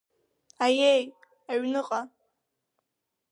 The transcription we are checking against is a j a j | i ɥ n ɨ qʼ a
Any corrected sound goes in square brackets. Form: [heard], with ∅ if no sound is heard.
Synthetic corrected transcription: a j [e] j | [a] ɥ n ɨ qʼ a